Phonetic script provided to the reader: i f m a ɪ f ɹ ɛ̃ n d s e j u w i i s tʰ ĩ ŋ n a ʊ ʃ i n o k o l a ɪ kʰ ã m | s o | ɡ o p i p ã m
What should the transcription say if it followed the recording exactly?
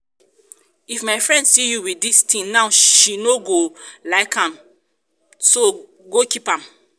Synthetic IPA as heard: i f m a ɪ f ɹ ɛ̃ n d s i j u w i i s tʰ ĩ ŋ n a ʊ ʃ i n o ɡ o l a ɪ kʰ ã m | s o | ɡ o k i p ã m